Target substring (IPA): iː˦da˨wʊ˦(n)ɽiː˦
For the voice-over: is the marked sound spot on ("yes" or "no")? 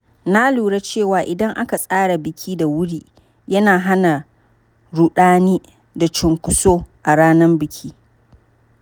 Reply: no